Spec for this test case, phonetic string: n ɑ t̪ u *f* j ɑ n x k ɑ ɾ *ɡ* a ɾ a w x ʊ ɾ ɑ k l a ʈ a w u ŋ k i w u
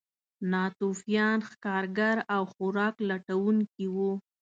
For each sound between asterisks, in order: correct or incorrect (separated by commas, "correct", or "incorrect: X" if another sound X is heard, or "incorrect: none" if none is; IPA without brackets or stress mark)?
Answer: correct, correct